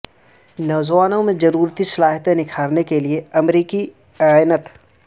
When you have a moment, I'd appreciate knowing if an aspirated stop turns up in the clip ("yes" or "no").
yes